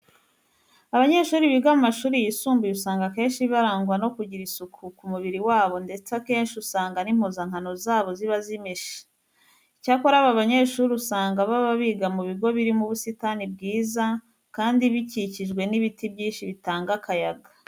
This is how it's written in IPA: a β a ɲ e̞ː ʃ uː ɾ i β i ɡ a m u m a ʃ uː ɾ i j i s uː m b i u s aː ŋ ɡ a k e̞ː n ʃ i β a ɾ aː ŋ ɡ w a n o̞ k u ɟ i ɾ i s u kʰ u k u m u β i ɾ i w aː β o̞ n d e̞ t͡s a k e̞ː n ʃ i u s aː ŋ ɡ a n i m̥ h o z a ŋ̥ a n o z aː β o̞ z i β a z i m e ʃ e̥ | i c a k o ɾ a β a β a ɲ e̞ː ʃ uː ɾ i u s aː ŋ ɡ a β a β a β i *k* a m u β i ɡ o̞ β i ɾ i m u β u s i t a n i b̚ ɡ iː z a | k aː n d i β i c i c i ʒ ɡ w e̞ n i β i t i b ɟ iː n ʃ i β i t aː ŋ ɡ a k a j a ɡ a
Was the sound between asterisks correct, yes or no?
no